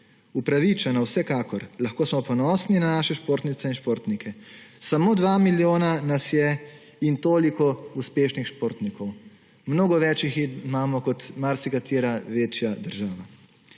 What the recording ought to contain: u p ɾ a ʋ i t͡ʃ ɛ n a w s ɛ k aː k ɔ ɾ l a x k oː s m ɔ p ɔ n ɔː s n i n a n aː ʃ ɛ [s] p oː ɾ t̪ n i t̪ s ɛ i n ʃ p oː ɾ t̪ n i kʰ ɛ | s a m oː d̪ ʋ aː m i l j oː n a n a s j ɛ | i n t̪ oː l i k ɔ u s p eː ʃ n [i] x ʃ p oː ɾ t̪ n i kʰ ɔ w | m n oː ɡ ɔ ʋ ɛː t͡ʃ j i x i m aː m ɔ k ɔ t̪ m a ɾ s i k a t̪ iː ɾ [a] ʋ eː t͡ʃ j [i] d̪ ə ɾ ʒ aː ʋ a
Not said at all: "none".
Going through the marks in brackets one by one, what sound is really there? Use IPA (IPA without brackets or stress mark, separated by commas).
ʃ, i, a, a